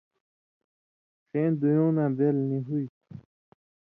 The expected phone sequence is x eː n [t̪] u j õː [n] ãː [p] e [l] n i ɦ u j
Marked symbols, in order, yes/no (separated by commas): no, yes, no, yes